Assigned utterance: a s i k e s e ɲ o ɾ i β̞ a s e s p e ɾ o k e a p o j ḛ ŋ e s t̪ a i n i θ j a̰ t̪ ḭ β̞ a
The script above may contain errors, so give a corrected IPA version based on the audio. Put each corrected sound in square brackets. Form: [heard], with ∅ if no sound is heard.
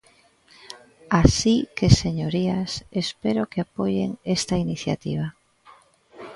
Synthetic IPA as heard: a s i k e s e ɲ o ɾ i [∅] a s e s p e ɾ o k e a p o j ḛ ŋ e s t̪ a i n i θ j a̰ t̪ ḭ β̞ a